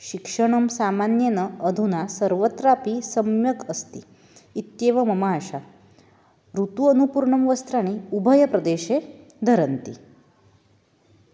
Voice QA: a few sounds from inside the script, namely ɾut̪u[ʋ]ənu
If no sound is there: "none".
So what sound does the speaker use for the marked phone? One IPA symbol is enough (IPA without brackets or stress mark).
none